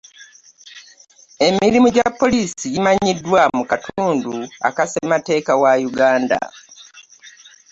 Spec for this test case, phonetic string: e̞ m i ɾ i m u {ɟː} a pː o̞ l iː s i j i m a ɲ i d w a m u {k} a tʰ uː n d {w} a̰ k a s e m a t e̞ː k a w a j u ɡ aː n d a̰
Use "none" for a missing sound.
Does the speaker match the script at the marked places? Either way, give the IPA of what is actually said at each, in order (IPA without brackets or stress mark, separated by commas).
ɟ, k, u